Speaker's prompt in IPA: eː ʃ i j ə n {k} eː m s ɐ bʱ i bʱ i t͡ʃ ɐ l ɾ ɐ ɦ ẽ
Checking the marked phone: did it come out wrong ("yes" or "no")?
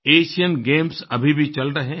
yes